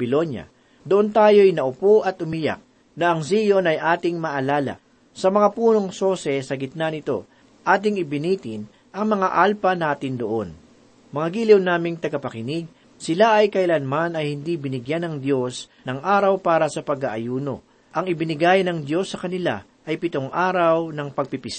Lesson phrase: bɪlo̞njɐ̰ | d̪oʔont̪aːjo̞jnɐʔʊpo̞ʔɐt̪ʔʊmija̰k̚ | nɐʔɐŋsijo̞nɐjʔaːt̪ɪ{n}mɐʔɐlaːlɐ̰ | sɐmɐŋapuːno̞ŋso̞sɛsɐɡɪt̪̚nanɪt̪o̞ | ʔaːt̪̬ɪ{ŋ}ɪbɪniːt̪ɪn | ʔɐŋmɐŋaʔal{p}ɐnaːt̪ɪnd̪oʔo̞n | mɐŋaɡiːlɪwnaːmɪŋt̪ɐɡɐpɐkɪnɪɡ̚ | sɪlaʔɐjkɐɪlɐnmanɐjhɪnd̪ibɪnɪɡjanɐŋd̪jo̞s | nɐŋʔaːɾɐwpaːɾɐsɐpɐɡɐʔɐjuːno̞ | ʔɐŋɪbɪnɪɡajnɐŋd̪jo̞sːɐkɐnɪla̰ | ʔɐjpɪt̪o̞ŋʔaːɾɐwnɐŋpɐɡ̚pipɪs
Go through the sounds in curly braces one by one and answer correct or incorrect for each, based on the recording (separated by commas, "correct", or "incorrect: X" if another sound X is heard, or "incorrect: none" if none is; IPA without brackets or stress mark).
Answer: incorrect: ŋ, correct, correct